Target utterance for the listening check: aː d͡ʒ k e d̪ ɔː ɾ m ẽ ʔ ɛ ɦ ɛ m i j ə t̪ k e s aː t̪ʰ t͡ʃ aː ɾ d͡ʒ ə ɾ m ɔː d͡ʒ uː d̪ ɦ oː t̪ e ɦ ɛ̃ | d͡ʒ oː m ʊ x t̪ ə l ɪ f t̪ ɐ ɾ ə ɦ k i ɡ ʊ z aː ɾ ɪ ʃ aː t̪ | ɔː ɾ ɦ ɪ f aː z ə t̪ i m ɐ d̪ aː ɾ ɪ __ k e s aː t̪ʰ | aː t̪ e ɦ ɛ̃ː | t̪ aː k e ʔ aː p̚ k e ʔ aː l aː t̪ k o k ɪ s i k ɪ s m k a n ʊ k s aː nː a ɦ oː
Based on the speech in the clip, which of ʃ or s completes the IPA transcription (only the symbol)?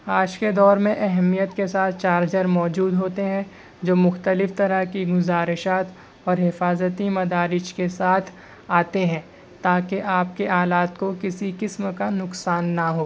ʃ